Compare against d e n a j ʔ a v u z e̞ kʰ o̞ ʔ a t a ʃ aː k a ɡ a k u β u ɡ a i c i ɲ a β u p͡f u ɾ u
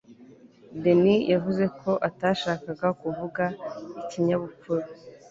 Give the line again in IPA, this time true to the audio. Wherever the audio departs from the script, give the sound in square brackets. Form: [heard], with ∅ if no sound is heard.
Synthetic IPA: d e n [i] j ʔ a v u z e̞ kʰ o̞ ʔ a t a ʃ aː k a ɡ a k u [v] u ɡ a i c i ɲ a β u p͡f u ɾ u